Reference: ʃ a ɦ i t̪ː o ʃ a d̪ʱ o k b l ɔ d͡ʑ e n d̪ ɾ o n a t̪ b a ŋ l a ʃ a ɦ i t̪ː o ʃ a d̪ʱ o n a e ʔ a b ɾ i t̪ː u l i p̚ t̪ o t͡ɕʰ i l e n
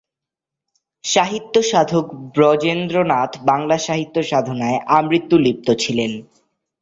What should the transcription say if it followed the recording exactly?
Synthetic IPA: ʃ a ɦ i t̪ː o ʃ a d̪ʱ o k b ɾ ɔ d͡ʑ e n d̪ ɾ o n a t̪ b a ŋ l a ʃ a ɦ i t̪ː o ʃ a d̪ʱ o n a e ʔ a m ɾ i t̪ː u l i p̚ t̪ o t͡ɕʰ i l e n